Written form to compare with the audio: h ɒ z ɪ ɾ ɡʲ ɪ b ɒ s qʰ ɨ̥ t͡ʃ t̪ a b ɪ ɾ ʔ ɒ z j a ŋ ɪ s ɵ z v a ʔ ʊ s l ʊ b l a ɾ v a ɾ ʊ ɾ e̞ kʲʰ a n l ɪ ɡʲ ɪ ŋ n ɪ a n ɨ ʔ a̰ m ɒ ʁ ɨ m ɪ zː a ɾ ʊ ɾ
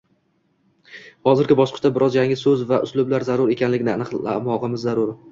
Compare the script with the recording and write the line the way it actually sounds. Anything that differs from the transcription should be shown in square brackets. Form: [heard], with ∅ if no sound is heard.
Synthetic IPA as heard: h ɒ z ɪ ɾ ɡʲ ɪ b ɒ [ʃ] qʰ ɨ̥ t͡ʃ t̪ a b ɪ ɾ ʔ ɒ z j a ŋ ɪ s ɵ z v a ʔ ʊ s l ʊ b l a ɾ [z] a ɾ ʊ ɾ e̞ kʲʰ a n l ɪ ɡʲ ɪ [∅] n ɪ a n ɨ [q] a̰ m ɒ ʁ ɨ m ɪ zː a ɾ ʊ ɾ